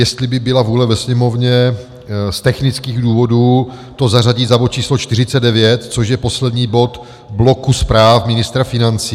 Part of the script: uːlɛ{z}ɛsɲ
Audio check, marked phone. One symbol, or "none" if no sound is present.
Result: v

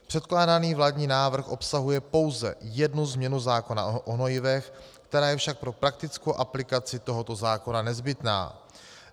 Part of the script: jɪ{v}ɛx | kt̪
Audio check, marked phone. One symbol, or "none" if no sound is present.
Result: v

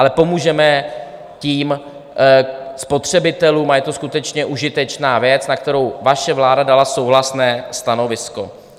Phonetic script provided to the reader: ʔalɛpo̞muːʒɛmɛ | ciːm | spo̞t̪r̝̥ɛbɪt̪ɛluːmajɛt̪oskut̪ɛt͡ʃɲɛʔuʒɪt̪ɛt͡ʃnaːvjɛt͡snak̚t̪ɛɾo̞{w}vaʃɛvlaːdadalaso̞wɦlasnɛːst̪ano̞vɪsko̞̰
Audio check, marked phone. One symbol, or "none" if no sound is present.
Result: w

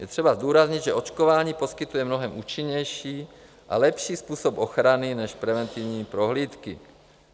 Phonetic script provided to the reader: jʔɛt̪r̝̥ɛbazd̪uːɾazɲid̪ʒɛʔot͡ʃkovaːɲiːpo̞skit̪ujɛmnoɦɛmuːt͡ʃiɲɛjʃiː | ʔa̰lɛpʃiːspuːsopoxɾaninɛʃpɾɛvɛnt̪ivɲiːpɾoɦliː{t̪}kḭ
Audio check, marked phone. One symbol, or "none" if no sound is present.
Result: t̪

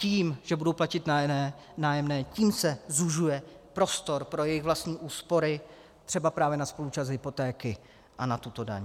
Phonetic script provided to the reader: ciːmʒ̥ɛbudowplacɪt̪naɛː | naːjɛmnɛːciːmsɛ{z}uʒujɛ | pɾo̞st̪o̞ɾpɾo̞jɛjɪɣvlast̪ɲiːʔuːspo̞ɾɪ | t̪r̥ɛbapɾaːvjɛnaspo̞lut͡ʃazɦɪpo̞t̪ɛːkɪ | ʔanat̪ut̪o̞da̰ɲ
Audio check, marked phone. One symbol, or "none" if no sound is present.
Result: z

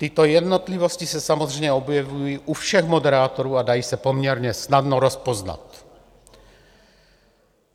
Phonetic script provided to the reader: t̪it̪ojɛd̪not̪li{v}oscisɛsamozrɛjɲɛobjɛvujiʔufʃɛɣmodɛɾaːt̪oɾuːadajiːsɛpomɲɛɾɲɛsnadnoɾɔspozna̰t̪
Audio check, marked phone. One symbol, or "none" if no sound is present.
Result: v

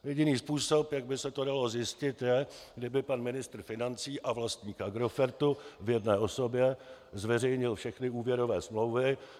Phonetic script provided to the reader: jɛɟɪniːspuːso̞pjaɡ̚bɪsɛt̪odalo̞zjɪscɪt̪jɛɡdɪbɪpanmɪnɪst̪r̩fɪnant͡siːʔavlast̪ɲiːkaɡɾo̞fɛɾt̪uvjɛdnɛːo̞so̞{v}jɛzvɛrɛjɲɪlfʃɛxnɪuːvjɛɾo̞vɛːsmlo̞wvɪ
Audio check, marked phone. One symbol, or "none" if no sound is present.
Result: b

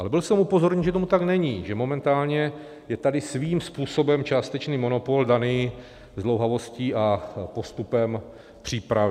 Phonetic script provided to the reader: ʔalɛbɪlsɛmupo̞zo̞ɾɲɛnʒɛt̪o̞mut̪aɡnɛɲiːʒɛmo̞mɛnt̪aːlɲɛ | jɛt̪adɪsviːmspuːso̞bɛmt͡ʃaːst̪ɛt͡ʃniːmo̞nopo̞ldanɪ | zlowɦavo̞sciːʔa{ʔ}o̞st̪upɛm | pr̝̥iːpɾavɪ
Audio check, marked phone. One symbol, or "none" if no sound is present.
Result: p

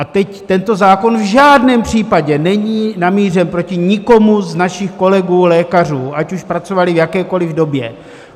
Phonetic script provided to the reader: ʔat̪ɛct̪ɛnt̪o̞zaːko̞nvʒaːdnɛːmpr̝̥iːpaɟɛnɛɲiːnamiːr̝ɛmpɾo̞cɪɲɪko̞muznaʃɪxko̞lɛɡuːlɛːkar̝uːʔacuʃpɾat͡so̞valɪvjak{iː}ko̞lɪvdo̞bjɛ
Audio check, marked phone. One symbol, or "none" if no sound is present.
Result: ɛː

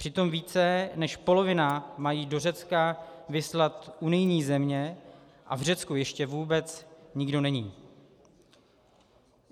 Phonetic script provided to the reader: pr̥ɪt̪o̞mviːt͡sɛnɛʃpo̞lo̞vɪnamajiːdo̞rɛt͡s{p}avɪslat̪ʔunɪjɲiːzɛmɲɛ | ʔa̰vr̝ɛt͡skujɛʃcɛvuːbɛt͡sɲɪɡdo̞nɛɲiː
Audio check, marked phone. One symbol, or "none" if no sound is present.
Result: k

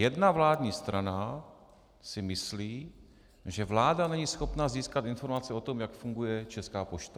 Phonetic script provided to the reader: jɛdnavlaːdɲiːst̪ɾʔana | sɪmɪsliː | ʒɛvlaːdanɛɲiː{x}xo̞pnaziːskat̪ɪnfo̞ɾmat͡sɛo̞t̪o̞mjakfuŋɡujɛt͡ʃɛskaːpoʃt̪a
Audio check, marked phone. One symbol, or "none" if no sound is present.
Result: s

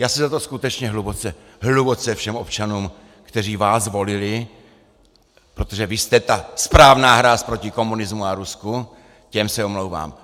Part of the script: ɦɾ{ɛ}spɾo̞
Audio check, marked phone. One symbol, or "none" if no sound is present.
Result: a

